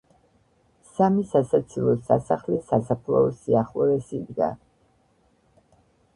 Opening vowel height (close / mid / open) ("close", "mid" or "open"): open